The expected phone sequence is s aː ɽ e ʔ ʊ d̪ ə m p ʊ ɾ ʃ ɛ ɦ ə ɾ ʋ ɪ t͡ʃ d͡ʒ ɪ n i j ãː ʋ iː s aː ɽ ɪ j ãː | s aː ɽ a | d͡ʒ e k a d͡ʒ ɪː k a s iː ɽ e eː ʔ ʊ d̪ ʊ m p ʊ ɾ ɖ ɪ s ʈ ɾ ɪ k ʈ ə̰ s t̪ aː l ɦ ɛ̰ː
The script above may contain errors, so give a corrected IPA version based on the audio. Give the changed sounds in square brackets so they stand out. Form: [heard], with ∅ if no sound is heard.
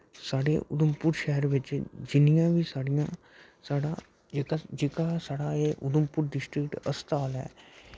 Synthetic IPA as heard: s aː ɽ e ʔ ʊ d̪ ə m p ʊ ɾ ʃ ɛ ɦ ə ɾ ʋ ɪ t͡ʃ d͡ʒ ɪ n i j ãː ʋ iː s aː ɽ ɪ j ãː | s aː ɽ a | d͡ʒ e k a d͡ʒ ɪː k a s [aː] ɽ [a] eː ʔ ʊ d̪ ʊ m p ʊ ɾ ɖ ɪ s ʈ ɾ ɪ k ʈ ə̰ s t̪ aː l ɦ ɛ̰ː